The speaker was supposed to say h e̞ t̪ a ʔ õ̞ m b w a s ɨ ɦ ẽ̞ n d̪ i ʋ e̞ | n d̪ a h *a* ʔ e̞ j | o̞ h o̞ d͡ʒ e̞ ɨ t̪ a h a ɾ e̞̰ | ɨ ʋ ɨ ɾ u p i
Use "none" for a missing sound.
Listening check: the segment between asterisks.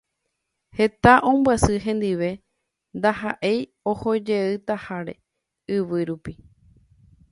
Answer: a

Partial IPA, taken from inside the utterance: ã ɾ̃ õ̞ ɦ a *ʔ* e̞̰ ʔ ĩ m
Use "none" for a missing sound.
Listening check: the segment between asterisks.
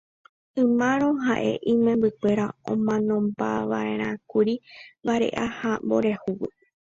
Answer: ʔ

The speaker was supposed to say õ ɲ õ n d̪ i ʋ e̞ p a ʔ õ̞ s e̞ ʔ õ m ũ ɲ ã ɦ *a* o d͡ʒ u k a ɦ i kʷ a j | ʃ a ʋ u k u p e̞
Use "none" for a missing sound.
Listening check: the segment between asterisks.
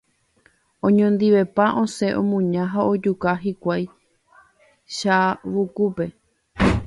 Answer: a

